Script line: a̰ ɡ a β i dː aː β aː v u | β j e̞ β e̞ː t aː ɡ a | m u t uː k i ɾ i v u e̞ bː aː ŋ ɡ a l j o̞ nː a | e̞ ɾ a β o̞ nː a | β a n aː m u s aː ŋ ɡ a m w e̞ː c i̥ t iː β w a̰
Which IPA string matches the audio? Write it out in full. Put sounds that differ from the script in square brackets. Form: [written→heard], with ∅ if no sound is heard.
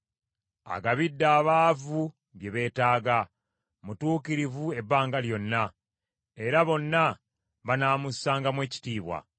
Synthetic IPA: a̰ ɡ a β i dː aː β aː v u | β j e̞ β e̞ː t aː ɡ a | m u t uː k i ɾ i v u e̞ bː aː ŋ ɡ a l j o̞ nː a | e̞ ɾ a β o̞ nː a | β a n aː m u s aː ŋ ɡ a m w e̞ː c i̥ t iː β w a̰